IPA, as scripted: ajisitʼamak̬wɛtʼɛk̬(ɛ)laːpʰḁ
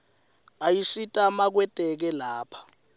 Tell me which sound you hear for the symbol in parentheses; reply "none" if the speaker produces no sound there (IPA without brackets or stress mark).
ɛ